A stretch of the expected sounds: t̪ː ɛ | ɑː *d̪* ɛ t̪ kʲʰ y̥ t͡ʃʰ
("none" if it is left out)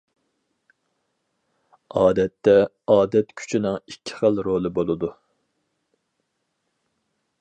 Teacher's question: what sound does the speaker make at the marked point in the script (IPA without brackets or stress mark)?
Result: d̪